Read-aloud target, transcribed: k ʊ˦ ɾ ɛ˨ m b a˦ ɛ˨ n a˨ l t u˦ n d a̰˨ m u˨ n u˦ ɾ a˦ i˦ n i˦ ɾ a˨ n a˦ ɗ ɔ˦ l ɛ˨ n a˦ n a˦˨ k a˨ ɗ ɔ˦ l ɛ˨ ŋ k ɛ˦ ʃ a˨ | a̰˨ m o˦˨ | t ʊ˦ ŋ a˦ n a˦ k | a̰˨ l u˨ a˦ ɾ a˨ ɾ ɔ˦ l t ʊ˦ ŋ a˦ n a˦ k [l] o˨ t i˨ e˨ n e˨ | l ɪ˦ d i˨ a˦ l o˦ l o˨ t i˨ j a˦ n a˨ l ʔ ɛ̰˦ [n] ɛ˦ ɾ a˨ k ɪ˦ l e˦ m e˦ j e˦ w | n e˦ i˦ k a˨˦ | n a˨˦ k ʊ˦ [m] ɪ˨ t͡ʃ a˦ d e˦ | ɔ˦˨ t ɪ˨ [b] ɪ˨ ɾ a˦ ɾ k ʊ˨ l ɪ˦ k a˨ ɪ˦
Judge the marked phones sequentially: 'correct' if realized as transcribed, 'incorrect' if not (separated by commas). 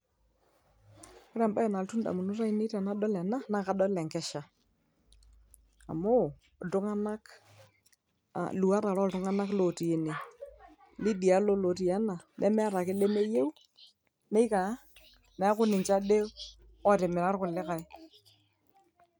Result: correct, incorrect, incorrect, incorrect